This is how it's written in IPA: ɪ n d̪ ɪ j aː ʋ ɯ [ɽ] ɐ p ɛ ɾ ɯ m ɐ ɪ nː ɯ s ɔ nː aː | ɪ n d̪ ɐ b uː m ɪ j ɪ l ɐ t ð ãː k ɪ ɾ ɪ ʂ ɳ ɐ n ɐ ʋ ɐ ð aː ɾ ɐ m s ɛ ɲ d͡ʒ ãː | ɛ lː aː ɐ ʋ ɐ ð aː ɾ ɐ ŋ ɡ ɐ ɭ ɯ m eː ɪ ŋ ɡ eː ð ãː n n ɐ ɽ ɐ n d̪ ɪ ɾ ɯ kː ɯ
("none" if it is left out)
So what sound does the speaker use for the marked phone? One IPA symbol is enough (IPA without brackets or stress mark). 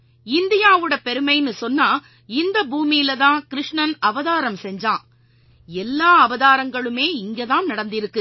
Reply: ɽ